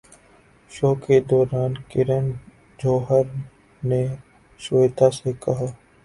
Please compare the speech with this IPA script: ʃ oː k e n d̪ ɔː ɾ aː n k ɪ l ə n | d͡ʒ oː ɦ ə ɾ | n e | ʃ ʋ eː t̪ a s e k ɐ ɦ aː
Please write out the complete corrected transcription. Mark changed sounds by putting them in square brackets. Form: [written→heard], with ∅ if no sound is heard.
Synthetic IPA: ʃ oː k e [n→∅] d̪ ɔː ɾ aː n k ɪ [l→ɾ] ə n | d͡ʒ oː ɦ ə ɾ | n e | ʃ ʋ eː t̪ a s e k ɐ ɦ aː